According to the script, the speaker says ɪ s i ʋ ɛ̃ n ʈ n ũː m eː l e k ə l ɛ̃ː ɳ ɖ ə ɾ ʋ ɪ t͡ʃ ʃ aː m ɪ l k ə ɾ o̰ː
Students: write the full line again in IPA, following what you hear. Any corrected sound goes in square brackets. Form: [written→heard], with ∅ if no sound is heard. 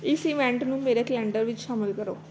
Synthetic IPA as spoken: ɪ s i ʋ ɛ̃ [n→ɳ] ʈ n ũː m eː [l→ɾ] e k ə l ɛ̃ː ɳ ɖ ə ɾ ʋ ɪ t͡ʃ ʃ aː m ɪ l k ə ɾ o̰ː